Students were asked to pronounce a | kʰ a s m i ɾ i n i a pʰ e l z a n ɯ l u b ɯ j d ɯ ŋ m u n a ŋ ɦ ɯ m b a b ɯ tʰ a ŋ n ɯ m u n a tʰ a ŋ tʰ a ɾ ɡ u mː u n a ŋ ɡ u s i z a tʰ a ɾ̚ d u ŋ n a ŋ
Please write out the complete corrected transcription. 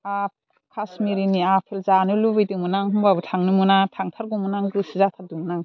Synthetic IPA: a | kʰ a s m i ɾ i n i a pʰ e l z a n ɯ l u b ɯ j d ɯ ŋ m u n a ŋ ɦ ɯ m b a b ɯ tʰ a ŋ n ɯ m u n a tʰ a ŋ tʰ a ɾ ɡ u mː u n a ŋ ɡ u s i z a tʰ a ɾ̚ d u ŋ n a ŋ